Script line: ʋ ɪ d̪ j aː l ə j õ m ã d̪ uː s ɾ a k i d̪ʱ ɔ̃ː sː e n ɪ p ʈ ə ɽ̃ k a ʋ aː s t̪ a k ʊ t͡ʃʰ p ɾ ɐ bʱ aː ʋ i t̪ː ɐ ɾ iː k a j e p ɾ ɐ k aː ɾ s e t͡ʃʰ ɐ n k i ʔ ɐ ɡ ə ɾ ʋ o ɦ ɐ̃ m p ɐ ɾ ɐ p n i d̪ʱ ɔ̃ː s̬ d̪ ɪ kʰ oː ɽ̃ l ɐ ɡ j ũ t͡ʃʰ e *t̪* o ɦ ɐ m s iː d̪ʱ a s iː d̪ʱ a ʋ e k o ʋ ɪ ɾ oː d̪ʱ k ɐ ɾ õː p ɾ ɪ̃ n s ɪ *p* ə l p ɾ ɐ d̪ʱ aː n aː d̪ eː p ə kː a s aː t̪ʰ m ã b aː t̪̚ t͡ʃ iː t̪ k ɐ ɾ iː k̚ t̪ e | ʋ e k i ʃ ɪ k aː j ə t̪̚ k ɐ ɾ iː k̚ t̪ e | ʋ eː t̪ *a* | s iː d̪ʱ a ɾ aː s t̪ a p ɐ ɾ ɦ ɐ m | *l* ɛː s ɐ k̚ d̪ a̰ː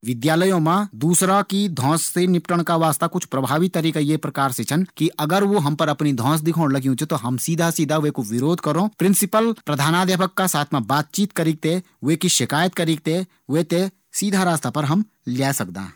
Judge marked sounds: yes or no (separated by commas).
yes, yes, no, yes